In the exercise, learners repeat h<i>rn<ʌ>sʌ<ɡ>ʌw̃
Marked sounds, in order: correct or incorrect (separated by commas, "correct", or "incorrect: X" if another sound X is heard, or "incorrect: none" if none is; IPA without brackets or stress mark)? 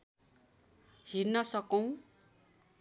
correct, correct, incorrect: k